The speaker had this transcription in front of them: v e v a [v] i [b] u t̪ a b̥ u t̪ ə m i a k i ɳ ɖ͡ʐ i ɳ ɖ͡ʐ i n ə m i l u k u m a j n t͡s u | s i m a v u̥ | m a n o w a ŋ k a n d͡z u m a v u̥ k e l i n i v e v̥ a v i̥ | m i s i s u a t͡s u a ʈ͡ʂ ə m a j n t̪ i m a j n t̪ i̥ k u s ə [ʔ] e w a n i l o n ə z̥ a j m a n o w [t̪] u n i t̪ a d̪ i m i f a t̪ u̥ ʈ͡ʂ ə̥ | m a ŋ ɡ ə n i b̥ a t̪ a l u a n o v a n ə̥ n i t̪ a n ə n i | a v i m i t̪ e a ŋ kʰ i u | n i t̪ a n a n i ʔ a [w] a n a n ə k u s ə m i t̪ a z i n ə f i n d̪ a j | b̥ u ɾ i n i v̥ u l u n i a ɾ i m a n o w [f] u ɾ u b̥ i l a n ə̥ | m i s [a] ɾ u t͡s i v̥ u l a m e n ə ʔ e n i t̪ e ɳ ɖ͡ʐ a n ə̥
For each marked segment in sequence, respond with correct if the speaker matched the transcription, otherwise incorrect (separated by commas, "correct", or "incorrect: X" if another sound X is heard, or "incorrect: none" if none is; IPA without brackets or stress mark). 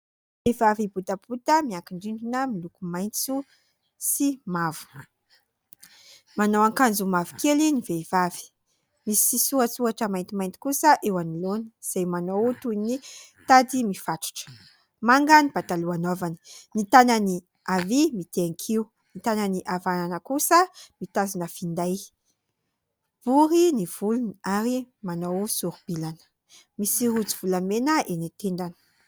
correct, correct, correct, correct, incorrect: v, incorrect: s, incorrect: i